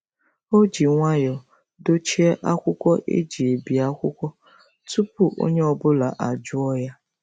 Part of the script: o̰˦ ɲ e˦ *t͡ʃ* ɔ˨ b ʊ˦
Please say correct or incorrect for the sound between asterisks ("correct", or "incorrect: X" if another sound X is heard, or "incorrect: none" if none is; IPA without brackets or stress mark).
incorrect: none